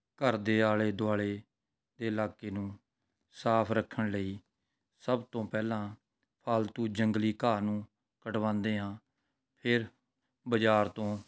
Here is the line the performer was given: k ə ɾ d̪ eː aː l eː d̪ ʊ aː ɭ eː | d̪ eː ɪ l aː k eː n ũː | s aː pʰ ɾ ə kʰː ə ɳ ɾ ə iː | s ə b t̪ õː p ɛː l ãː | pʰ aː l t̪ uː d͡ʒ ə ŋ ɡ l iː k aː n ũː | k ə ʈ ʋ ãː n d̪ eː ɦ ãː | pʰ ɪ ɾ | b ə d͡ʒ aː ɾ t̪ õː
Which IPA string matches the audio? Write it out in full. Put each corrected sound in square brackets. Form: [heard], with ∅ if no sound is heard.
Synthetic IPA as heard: k ə ɾ d̪ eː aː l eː d̪ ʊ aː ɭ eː | d̪ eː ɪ l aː k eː n ũː | s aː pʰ ɾ ə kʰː ə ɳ [l] ə iː | s ə b t̪ õː p ɛː l ãː | pʰ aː l t̪ uː d͡ʒ ə ŋ ɡ l iː k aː n ũː | k ə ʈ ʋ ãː n d̪ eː ɦ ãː | pʰ ɪ ɾ | b ə d͡ʒ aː ɾ t̪ õː